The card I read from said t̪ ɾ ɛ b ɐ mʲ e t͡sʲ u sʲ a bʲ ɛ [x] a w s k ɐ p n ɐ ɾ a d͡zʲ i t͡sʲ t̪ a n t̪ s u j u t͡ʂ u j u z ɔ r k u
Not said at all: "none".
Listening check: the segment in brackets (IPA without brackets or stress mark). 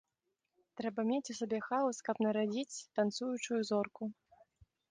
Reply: x